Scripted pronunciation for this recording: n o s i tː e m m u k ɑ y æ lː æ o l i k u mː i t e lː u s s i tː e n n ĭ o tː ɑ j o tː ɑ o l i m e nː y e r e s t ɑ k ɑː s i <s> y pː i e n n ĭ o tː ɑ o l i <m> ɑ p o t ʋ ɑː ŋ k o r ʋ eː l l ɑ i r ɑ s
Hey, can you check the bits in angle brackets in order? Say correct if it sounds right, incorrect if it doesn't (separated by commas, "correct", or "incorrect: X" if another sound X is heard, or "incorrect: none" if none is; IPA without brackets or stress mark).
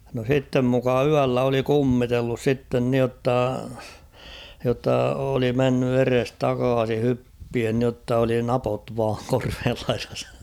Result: incorrect: h, incorrect: n